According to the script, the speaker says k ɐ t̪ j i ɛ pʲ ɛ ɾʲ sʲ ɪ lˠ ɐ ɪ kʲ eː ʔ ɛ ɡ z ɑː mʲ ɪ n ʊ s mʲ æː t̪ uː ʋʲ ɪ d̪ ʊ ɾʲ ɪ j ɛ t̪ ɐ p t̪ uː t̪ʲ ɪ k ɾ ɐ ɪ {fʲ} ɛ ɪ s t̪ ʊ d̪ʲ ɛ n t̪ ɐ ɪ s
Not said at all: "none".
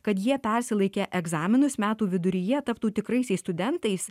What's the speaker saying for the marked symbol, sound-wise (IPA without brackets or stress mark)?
sʲ